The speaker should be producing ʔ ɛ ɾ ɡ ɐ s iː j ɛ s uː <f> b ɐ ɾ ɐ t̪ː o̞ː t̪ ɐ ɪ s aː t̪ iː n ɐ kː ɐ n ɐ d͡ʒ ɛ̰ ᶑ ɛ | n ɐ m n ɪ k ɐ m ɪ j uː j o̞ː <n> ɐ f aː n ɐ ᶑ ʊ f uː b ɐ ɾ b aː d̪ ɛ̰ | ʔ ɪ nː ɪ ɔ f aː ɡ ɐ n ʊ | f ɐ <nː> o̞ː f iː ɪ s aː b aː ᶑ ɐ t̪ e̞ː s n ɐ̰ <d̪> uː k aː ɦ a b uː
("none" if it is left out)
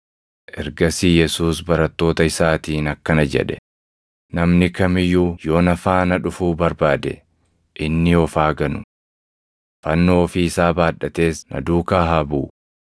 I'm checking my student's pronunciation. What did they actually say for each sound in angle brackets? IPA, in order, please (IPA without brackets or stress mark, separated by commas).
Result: s, n, nː, d̪